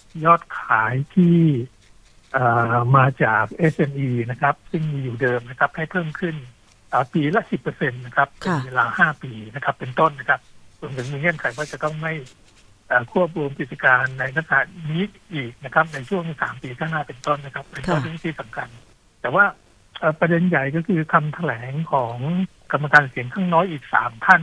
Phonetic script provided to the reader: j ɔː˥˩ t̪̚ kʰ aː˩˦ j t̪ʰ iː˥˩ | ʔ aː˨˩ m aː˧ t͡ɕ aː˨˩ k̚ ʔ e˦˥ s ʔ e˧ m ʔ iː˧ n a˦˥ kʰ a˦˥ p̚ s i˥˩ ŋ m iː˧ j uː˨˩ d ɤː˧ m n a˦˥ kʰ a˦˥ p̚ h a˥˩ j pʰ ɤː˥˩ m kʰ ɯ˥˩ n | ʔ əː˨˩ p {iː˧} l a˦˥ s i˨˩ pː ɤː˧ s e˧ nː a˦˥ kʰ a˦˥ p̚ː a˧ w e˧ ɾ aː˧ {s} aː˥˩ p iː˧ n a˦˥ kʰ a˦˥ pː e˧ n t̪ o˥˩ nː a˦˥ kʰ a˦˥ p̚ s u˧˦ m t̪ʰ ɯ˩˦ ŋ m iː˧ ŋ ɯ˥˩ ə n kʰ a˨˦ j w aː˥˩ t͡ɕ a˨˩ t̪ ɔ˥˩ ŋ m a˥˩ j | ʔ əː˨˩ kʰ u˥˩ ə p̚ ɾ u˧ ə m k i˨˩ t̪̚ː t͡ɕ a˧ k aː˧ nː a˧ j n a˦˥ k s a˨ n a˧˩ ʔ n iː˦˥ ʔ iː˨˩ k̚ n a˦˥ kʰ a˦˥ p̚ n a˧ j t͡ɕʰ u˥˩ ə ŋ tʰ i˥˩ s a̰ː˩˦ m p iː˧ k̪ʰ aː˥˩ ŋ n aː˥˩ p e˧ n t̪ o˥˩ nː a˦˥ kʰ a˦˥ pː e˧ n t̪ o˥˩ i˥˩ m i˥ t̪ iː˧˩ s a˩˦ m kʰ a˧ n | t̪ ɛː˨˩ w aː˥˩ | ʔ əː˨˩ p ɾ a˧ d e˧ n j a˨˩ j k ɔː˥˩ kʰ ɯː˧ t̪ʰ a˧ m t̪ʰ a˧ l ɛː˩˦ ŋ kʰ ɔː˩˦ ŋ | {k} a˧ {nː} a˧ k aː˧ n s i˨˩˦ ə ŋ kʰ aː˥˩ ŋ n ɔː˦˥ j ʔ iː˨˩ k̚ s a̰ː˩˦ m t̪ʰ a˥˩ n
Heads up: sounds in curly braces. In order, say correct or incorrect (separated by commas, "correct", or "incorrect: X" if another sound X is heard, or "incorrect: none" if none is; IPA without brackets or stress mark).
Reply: correct, incorrect: h, correct, incorrect: mː